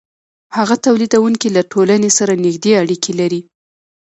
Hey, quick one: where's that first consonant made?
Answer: throat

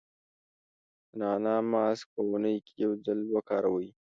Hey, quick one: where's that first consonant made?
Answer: tongue tip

